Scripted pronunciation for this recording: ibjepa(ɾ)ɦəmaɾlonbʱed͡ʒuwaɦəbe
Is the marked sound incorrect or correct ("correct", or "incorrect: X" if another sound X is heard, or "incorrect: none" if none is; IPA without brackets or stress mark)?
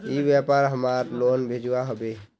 correct